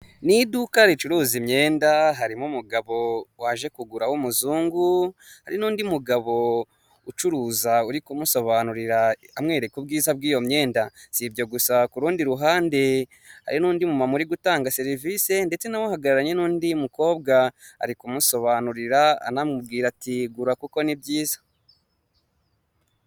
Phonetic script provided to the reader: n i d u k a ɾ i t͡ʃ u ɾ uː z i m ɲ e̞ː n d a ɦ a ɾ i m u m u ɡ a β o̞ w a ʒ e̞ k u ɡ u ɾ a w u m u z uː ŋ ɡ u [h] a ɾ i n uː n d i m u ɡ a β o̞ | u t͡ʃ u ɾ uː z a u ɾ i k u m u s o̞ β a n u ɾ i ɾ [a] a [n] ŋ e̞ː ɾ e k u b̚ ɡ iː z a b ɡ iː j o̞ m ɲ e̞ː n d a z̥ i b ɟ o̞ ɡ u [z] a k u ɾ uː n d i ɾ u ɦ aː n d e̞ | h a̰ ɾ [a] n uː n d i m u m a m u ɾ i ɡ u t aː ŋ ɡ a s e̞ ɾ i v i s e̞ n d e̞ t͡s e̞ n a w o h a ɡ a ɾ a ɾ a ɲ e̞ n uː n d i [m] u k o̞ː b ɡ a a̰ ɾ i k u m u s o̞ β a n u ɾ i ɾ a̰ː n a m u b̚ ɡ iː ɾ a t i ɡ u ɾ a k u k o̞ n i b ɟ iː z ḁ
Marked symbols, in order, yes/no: yes, yes, no, no, no, yes

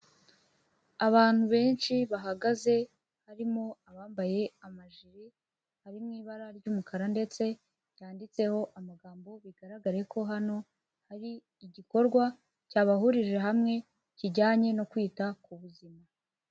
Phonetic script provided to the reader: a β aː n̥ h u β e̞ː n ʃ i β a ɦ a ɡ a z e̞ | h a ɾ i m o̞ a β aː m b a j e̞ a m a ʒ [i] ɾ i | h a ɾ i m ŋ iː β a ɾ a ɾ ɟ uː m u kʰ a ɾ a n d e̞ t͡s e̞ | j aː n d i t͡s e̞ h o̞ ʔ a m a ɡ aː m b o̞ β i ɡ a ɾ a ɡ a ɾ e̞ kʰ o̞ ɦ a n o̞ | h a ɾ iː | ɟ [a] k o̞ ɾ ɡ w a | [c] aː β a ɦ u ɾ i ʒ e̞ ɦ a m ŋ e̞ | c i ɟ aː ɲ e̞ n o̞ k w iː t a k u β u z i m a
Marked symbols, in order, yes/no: yes, no, yes

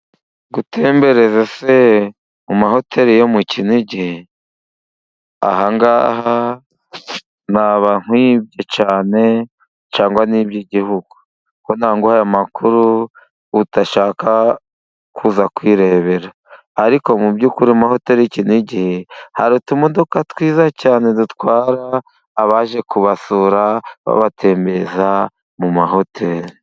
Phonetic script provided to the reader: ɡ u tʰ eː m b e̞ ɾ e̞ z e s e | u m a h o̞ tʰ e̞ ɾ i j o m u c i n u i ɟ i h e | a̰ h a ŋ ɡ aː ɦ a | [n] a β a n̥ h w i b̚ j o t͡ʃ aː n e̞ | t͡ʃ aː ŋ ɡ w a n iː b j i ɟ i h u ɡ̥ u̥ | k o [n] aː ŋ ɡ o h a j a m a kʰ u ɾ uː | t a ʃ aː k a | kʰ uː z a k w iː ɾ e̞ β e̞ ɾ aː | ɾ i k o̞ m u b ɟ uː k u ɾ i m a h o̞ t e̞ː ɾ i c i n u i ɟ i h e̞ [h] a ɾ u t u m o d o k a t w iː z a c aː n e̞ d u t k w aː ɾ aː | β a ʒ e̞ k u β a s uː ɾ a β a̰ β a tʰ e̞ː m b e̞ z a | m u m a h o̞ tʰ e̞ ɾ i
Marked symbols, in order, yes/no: yes, yes, yes

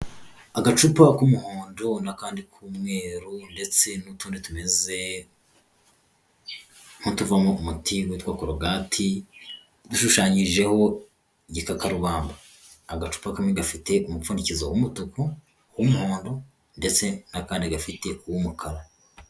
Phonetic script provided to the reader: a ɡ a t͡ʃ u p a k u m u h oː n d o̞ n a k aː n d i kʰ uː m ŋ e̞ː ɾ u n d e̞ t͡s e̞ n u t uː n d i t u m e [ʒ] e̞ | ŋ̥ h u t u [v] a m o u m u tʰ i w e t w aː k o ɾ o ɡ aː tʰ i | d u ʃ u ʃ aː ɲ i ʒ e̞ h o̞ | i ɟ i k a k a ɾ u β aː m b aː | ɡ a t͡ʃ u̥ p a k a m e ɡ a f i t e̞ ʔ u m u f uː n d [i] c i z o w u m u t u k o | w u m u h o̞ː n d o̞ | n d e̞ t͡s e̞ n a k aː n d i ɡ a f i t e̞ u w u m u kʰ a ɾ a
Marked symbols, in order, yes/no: no, yes, yes

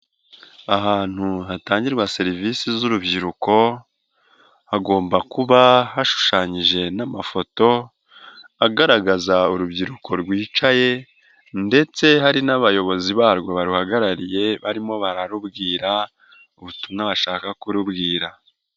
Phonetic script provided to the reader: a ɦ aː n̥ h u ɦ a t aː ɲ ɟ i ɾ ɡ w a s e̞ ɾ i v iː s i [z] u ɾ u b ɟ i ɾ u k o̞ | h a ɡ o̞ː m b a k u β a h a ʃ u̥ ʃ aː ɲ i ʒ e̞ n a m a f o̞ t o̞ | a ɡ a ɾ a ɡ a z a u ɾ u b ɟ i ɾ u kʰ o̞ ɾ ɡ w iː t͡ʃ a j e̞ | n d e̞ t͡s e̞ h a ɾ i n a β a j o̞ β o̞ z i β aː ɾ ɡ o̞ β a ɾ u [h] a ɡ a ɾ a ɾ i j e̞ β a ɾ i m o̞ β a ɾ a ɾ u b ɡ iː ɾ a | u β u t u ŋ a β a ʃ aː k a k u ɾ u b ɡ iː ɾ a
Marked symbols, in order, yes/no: yes, yes

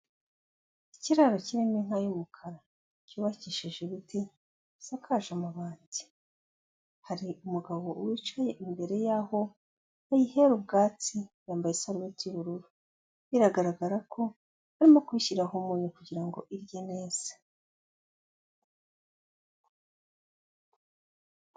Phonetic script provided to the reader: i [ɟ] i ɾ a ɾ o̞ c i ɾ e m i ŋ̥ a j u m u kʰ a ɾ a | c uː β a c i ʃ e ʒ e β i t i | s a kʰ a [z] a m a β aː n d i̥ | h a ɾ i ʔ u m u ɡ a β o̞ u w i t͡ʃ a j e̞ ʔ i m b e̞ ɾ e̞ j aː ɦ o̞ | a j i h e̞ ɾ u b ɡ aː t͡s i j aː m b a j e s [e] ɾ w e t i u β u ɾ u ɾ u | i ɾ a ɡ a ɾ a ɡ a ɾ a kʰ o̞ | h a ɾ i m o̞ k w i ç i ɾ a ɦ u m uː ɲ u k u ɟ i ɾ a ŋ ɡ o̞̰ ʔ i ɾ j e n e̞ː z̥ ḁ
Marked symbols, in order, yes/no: no, no, no

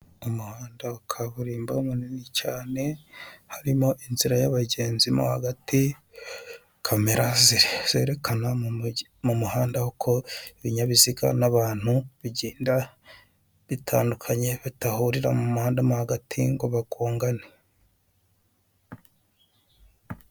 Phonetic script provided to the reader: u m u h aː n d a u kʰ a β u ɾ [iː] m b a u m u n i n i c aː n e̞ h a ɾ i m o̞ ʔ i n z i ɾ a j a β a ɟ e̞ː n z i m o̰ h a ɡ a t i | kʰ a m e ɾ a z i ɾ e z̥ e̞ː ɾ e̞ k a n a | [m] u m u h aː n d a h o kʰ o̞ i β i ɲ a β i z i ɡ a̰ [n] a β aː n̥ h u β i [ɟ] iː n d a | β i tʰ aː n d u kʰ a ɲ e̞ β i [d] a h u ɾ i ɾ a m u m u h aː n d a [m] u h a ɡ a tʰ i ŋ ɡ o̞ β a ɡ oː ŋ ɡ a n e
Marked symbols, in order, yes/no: yes, yes, yes, yes, no, yes

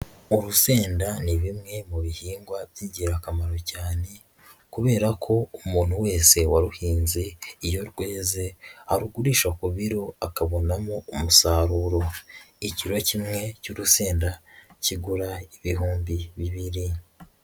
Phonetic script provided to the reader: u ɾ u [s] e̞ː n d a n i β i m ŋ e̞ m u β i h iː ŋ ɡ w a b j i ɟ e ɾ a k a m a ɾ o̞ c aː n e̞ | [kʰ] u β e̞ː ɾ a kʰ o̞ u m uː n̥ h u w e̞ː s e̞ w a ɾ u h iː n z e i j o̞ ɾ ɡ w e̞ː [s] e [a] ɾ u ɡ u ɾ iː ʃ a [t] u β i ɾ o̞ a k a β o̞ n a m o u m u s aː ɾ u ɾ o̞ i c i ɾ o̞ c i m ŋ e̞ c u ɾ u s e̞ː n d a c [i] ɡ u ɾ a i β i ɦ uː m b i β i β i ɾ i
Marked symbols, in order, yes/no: yes, no, no, yes, no, yes

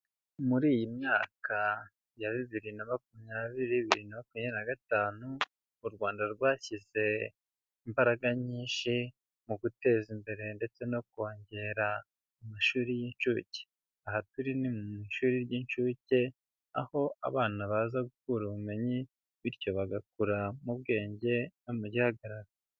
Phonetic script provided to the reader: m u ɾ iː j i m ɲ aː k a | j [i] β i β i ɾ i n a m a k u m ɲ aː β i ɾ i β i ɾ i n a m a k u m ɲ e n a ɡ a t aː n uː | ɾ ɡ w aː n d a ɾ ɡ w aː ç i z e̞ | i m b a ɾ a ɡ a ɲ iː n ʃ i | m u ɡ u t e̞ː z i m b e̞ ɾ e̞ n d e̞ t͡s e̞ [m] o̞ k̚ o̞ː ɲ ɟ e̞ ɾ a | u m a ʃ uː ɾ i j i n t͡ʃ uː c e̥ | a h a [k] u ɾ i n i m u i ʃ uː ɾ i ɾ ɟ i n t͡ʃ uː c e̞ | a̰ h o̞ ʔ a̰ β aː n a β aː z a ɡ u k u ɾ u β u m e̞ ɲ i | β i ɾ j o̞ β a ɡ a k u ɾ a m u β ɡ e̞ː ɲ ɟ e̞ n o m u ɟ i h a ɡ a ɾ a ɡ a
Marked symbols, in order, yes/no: no, no, no

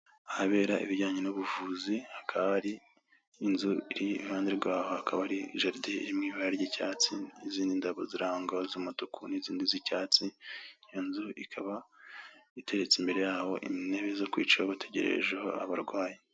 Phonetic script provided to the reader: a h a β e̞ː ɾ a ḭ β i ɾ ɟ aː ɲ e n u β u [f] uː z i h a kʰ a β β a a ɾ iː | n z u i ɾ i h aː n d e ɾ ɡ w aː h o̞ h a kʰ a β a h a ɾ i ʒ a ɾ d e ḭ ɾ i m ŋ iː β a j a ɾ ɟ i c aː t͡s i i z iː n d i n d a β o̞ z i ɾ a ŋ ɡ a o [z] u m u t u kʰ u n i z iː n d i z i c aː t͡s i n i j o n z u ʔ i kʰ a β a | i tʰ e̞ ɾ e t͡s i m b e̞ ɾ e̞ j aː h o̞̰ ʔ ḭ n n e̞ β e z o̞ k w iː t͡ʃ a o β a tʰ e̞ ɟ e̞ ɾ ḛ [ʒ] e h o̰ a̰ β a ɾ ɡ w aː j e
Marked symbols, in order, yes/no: no, yes, yes

